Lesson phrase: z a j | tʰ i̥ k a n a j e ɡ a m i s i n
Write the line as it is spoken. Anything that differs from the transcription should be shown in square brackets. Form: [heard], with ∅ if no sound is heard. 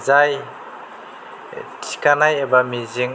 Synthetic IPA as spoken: z a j | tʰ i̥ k a n a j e [b] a m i [z] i [ŋ]